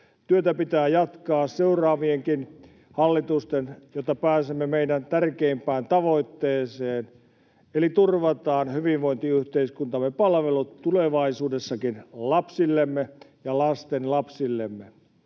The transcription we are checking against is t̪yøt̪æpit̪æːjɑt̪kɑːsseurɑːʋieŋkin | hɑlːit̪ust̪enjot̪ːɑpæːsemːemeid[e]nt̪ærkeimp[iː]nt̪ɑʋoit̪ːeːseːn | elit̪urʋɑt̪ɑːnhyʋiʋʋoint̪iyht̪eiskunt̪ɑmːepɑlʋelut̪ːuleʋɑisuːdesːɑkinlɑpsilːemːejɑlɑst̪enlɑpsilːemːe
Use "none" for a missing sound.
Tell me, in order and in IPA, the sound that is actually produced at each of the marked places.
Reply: æ, æː

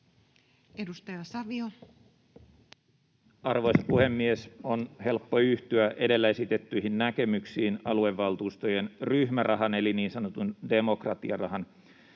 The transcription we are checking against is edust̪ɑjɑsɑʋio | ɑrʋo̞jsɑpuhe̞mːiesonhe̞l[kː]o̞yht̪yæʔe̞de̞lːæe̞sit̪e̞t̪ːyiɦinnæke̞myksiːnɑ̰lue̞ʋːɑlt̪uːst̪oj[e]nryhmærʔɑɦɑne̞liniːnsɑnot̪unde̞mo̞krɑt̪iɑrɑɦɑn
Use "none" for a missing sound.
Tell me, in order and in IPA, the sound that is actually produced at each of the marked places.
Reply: pː, e

